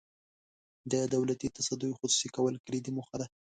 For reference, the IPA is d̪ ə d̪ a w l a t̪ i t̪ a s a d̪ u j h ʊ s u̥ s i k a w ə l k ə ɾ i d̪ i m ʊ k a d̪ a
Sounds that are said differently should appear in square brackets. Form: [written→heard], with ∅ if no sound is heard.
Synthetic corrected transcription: d̪ ə d̪ a w l a t̪ i t̪ a s a d̪ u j [h→x] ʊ s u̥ s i k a w ə l k ə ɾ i d̪ i m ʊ [k→x] a d̪ a